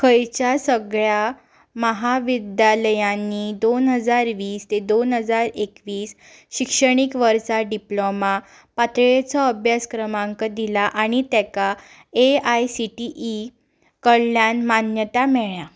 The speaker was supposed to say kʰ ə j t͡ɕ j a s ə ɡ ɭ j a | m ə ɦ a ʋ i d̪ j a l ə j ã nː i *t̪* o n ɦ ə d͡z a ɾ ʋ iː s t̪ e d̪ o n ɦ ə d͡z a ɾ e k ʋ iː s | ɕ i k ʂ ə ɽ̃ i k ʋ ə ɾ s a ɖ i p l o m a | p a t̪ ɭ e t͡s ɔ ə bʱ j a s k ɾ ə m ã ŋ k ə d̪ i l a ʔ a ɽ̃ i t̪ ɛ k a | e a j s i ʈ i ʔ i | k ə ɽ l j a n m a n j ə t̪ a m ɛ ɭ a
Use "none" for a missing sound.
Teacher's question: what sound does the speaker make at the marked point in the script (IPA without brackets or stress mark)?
d̪